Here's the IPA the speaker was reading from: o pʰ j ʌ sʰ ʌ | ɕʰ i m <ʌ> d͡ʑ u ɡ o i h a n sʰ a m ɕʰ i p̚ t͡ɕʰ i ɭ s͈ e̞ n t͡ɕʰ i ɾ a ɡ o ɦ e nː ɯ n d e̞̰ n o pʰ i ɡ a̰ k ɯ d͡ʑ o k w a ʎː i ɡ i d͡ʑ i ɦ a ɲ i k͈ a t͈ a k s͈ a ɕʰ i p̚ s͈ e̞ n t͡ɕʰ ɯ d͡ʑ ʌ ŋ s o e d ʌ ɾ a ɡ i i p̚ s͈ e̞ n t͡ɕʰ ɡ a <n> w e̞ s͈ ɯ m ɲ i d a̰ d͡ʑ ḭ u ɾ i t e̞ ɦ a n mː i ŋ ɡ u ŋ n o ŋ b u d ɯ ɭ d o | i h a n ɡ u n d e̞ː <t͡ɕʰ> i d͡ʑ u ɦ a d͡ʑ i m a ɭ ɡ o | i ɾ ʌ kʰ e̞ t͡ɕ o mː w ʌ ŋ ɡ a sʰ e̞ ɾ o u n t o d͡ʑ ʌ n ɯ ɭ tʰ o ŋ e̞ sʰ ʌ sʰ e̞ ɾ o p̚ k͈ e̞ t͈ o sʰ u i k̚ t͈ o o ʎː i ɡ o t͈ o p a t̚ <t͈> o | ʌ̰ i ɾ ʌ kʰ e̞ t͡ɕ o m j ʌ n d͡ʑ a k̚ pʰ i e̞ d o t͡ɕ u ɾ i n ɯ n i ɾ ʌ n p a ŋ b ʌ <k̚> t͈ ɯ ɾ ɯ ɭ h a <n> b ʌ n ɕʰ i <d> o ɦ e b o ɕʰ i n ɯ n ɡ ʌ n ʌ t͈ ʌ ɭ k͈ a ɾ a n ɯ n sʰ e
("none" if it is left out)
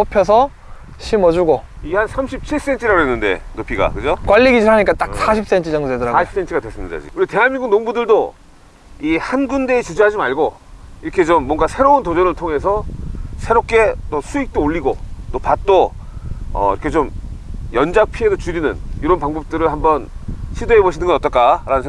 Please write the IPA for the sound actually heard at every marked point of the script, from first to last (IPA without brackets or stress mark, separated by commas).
ʌ, d, t͡ɕ, t͈, p̚, m, d